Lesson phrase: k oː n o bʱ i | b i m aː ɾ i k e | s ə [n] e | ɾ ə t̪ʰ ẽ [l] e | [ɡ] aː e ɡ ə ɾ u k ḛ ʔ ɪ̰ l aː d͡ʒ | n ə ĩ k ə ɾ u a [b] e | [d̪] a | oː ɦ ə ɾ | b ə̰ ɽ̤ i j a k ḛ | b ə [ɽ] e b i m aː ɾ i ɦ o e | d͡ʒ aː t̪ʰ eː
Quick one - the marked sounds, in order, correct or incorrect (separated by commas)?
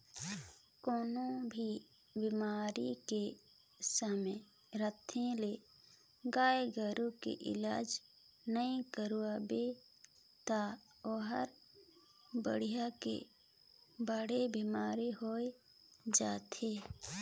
incorrect, correct, correct, correct, incorrect, correct